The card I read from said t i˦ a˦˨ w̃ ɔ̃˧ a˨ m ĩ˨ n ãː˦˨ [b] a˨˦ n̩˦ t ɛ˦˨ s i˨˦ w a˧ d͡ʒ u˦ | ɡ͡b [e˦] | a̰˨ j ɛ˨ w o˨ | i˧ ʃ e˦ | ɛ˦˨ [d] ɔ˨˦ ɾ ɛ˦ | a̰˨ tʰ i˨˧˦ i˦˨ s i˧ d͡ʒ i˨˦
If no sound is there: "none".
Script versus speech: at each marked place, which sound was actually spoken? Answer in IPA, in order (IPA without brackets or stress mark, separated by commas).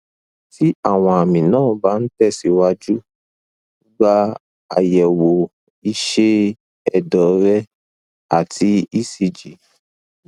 b, a˦, d